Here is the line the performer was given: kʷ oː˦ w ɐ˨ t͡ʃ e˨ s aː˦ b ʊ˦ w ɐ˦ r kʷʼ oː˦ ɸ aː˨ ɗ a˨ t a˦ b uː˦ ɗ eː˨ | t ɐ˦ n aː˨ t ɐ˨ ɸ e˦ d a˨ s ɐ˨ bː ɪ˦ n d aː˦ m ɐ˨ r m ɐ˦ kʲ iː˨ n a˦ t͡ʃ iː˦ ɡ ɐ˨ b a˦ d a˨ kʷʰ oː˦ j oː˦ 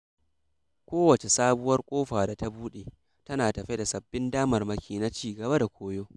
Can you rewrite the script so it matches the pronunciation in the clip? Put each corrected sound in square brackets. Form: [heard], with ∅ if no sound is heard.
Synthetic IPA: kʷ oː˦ w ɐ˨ t͡ʃ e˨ s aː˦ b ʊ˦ w ɐ˦ r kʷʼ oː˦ ɸ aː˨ [d] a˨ t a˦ b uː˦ ɗ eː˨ | t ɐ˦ n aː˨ t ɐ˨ ɸ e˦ d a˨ s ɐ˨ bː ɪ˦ n d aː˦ m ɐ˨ r m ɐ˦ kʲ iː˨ n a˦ t͡ʃ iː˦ ɡ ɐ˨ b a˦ d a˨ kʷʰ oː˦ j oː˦